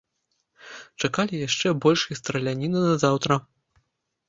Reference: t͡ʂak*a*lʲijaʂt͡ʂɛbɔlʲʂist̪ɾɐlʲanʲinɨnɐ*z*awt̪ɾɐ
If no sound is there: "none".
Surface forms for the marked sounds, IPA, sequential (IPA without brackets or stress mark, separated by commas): a, z